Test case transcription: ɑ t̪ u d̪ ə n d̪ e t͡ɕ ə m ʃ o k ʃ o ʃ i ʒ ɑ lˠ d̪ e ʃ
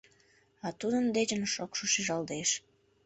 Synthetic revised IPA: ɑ t̪ u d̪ ə n d̪ e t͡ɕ ə n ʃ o k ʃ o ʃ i ʒ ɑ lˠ d̪ e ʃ